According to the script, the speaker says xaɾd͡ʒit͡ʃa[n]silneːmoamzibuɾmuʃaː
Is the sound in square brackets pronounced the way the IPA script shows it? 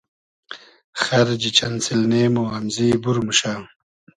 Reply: yes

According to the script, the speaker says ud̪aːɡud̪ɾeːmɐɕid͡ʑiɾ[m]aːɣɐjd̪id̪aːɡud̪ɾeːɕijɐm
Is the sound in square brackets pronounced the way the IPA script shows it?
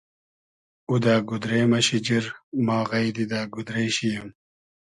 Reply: yes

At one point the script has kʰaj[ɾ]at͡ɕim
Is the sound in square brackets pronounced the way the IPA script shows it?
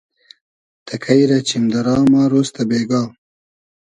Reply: yes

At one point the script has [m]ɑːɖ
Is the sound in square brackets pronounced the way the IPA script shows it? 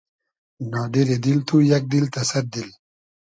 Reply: no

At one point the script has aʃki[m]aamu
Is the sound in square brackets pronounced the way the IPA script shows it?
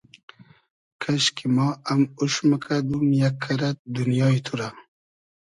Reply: yes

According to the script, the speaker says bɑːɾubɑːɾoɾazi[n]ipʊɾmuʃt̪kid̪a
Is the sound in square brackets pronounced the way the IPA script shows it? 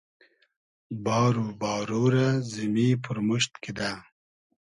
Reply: no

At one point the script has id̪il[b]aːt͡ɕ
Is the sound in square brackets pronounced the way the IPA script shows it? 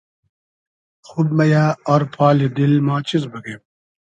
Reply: no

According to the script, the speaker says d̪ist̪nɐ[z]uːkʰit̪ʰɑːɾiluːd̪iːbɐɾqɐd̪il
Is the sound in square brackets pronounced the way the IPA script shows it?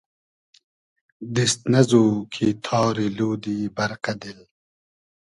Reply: yes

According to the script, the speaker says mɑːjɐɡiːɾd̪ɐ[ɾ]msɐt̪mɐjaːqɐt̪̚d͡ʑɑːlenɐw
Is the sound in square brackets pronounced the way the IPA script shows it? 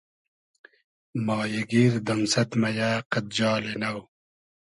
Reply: no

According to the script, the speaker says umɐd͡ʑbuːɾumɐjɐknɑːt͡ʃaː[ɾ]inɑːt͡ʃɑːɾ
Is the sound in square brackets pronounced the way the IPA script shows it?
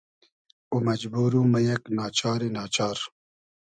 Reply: yes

